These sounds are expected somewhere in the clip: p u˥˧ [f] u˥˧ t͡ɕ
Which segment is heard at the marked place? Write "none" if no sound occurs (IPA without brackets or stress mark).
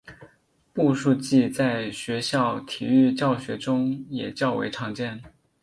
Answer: ʂ